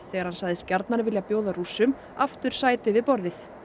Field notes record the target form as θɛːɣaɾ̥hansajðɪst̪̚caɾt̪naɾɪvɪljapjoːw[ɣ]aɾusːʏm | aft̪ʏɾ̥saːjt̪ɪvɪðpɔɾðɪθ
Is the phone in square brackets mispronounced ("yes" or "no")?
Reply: yes